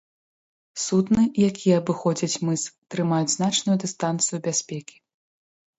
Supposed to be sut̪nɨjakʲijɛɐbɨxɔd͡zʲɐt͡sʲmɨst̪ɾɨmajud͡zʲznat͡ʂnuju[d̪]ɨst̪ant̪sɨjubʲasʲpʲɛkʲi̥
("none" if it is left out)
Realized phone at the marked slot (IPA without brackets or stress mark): d̪